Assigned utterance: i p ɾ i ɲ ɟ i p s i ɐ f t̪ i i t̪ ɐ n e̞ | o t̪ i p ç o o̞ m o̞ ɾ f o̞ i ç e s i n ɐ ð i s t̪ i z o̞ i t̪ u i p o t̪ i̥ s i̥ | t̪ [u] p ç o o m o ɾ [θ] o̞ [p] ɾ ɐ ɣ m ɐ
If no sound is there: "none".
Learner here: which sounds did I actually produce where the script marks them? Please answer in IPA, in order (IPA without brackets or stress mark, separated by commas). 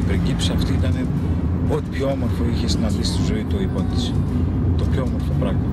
o, f, p